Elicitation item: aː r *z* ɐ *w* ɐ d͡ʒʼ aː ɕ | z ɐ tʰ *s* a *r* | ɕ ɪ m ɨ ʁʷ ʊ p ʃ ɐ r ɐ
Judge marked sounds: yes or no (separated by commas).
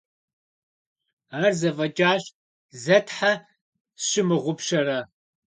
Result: yes, no, no, no